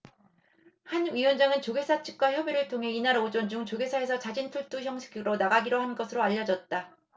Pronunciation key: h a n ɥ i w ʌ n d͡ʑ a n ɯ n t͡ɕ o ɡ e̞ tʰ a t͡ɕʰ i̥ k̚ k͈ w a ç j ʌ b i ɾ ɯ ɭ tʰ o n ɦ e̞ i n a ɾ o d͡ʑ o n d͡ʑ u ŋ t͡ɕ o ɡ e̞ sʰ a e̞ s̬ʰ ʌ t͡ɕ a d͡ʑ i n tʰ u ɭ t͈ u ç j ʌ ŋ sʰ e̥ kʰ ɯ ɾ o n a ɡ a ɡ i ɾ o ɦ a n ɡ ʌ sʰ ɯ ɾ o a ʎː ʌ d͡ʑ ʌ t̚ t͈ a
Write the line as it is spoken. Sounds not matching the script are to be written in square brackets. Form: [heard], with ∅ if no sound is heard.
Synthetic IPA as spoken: h a n ɥ i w ʌ n d͡ʑ a [ŋ] ɯ n t͡ɕ o ɡ e̞ [sʰ] a t͡ɕʰ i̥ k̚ k͈ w a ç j ʌ b i ɾ ɯ ɭ tʰ o [ŋ] ɦ e̞ i n a ɾ o d͡ʑ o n d͡ʑ u ŋ t͡ɕ o ɡ e̞ sʰ a e̞ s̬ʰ ʌ t͡ɕ a d͡ʑ i n tʰ u ɭ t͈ u ç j ʌ ŋ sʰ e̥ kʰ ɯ ɾ o n a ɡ a ɡ i ɾ o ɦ a n ɡ ʌ sʰ ɯ ɾ o a ʎː ʌ d͡ʑ ʌ t̚ t͈ a